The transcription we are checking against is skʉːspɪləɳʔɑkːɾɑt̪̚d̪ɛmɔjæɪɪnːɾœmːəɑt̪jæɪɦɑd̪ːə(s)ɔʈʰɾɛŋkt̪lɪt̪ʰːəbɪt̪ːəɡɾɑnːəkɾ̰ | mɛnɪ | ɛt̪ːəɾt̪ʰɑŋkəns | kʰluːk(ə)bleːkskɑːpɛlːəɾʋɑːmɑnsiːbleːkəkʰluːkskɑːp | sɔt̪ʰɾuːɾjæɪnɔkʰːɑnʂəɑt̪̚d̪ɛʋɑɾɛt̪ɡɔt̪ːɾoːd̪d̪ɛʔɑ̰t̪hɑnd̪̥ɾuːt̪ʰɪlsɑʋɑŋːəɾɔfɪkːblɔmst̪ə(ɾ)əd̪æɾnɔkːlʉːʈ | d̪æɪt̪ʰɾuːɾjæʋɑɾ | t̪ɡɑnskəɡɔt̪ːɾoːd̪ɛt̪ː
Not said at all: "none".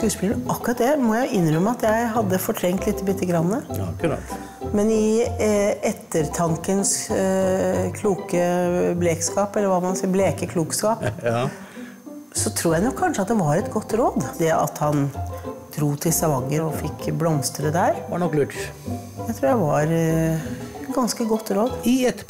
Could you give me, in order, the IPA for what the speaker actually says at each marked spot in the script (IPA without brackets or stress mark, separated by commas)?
f, ə, ɾ